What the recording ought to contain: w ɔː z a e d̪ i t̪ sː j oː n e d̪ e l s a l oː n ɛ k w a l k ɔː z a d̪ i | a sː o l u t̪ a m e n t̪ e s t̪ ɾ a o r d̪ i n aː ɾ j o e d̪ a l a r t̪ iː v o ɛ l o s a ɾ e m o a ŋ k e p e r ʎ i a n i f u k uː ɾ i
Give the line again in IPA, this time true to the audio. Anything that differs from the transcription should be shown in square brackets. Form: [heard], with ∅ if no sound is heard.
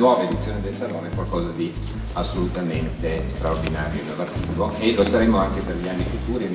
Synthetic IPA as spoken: w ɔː [v] a e d̪ i t̪ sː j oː n e d̪ e l s a l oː n ɛ k w a l k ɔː z a d̪ i | a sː o l u t̪ a m e n t̪ e s t̪ ɾ a o r d̪ i n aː ɾ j o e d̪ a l a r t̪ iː v o [e] l o s a ɾ e m o a ŋ k e p e r ʎ i a [nː] i f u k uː ɾ i